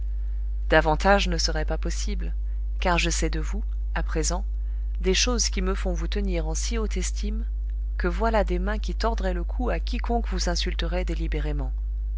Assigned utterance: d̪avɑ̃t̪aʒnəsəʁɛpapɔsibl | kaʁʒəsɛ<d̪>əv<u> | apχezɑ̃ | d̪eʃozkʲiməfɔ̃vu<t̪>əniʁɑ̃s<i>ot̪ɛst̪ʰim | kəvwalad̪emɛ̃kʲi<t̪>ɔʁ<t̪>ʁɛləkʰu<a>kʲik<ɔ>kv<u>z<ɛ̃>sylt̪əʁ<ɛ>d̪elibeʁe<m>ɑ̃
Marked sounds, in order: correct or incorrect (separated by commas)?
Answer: correct, correct, correct, correct, correct, incorrect, correct, incorrect, correct, correct, correct, correct